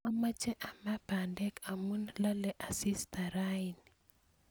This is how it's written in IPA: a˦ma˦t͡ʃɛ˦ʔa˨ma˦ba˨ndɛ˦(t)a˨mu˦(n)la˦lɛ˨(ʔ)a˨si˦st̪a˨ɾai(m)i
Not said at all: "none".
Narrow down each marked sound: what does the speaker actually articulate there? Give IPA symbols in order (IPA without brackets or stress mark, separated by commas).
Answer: k, n, ʔ, n